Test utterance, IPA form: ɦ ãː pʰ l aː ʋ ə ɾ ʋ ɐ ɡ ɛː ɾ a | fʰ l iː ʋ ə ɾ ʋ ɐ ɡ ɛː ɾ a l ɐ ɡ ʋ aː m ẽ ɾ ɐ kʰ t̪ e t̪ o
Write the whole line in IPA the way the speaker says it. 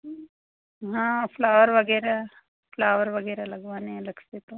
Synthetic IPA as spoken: ɦ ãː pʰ l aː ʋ ə ɾ ʋ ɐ ɡ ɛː ɾ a | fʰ l aː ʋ ə ɾ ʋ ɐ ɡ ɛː ɾ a l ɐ ɡ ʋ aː n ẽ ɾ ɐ kʰ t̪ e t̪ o